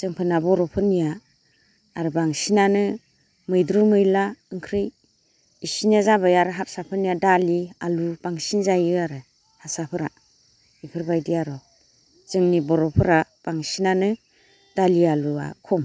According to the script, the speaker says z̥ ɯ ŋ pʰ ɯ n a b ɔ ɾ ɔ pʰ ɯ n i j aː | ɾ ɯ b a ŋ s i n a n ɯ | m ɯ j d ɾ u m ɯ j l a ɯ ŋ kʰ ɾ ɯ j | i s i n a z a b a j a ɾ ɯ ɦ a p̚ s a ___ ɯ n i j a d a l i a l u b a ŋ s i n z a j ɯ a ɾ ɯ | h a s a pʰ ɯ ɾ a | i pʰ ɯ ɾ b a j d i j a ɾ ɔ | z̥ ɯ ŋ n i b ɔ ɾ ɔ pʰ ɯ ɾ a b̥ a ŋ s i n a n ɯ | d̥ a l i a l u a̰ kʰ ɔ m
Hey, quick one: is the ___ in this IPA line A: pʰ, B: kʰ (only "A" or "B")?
A